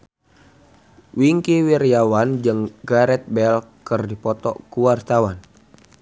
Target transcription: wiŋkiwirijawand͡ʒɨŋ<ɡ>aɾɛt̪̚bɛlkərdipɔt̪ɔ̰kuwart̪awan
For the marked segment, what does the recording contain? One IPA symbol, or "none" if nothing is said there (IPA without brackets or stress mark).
ɡ